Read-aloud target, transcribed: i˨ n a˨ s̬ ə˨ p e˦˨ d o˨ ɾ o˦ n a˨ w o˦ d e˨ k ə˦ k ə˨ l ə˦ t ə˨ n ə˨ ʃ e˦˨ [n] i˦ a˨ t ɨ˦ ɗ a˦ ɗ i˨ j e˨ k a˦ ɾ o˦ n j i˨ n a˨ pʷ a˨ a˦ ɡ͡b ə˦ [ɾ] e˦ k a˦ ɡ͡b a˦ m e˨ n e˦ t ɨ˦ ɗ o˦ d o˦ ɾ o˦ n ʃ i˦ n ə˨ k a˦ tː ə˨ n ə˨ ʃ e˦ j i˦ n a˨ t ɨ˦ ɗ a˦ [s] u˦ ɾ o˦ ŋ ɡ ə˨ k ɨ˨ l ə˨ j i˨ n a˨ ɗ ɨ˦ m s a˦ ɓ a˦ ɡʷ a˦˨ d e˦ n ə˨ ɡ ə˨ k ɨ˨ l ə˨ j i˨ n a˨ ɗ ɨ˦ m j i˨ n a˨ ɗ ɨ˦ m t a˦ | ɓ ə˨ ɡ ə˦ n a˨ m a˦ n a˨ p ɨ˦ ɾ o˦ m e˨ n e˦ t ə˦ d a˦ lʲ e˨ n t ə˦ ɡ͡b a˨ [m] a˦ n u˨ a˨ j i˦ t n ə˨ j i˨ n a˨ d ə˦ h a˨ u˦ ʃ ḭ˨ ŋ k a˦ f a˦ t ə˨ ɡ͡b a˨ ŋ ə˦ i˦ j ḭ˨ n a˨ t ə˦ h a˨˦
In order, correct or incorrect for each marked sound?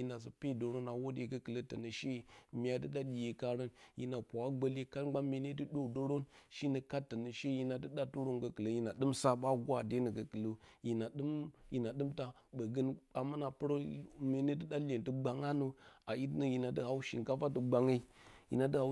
incorrect, incorrect, incorrect, incorrect

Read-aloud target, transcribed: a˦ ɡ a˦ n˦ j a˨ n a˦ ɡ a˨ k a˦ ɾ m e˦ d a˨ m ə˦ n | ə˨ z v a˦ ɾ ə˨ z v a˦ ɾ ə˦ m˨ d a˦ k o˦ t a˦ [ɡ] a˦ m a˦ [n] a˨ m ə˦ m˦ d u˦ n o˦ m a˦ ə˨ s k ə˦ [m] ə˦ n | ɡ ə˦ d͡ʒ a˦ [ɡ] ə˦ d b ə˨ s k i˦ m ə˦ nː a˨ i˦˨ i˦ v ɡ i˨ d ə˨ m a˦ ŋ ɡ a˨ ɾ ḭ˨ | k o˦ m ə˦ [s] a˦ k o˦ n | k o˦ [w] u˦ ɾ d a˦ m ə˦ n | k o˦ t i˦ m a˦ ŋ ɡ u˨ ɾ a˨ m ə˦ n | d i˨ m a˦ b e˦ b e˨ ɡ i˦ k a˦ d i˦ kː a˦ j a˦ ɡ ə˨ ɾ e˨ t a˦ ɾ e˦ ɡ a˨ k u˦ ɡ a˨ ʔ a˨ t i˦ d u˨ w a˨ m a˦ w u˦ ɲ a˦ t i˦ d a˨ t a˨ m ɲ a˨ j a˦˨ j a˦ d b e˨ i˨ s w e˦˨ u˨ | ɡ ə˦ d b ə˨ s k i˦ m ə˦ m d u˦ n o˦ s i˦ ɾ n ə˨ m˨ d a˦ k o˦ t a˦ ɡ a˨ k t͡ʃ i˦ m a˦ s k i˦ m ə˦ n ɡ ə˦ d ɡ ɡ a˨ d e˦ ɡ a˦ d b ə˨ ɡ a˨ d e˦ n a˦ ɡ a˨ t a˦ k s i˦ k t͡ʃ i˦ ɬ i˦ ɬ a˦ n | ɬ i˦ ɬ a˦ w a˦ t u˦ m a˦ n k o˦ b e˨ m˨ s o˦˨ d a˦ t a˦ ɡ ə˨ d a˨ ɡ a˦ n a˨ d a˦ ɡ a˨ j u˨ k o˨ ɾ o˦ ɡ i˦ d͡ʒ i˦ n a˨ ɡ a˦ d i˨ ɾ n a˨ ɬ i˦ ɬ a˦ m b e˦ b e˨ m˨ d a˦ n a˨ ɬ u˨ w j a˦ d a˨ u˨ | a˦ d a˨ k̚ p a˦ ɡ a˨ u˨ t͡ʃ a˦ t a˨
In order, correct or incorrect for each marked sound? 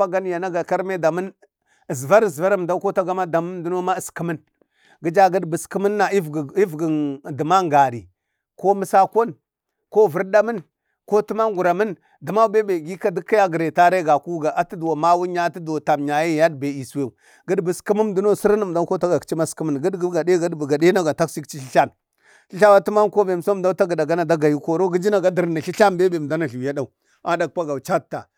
correct, incorrect, correct, correct, correct, incorrect

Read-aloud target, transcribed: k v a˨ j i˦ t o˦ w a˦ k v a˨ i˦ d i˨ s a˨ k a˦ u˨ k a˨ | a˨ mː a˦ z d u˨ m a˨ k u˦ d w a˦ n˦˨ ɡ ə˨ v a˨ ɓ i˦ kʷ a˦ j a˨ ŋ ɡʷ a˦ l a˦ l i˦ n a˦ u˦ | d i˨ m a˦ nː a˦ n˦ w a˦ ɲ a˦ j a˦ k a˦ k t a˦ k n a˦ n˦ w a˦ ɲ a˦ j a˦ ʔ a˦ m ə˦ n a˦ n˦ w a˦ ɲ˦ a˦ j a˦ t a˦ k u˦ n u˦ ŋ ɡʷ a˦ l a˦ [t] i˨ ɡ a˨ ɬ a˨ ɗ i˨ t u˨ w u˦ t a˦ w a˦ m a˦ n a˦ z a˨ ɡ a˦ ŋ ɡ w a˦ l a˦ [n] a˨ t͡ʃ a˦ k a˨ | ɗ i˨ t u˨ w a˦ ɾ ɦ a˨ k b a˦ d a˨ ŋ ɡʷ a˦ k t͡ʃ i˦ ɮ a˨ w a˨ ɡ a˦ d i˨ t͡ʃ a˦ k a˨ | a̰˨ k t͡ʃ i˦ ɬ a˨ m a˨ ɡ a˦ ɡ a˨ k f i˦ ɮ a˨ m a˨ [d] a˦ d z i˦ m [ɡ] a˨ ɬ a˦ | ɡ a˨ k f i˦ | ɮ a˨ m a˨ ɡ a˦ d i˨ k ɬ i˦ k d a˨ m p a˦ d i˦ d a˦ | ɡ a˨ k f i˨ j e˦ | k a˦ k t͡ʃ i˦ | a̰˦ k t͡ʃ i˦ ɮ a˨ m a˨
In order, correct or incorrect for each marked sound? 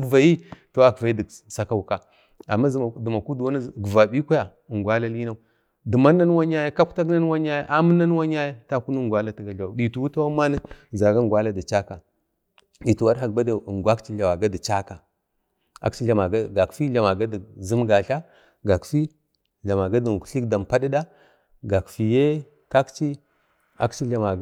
correct, incorrect, incorrect, correct

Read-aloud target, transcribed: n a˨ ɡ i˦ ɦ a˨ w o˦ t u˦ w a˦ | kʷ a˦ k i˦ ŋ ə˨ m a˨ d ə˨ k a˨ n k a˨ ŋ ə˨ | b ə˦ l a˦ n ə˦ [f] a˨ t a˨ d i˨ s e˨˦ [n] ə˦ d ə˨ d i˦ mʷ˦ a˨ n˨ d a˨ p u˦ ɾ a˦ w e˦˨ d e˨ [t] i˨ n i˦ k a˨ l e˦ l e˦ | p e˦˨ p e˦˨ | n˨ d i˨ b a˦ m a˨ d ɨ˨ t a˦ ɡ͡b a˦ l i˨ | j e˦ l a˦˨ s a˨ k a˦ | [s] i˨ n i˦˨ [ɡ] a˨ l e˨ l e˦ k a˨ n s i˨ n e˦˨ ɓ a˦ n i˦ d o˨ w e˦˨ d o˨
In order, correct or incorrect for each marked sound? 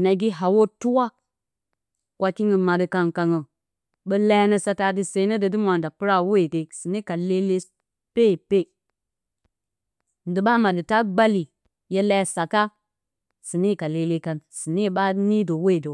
incorrect, correct, incorrect, correct, incorrect

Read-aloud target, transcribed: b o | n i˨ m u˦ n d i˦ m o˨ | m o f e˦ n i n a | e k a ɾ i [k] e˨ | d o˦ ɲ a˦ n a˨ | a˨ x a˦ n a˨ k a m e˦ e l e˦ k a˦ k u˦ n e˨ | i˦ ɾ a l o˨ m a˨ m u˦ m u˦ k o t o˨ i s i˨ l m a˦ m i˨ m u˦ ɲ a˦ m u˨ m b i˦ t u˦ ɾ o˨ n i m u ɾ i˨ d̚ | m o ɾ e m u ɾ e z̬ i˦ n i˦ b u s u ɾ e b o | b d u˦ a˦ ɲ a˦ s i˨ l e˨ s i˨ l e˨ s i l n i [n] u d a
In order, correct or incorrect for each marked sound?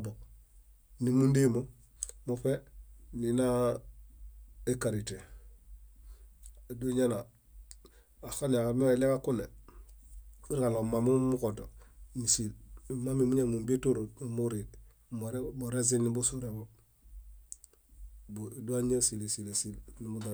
incorrect, incorrect

